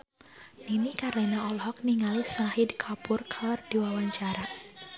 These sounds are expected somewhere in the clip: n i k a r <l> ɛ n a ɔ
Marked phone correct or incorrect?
correct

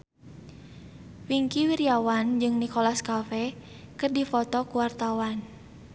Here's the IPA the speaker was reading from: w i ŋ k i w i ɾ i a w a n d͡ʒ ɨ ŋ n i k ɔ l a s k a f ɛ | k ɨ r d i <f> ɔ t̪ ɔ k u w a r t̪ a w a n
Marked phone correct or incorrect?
correct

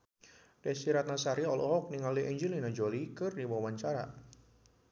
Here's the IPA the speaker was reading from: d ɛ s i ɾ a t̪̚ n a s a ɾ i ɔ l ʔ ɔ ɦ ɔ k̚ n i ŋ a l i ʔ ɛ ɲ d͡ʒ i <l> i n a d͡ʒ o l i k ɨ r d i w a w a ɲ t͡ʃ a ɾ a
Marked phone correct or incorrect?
correct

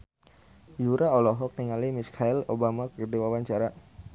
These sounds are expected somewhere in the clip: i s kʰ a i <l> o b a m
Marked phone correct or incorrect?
correct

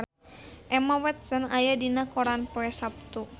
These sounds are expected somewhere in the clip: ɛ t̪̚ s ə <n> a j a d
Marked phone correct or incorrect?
correct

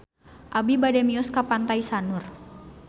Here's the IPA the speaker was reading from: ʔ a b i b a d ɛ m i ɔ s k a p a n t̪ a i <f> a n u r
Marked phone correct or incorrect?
incorrect: s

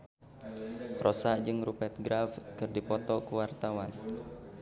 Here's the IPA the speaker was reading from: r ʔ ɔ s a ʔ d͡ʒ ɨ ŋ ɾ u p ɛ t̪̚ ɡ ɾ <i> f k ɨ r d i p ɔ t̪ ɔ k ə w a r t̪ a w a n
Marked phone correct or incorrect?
incorrect: a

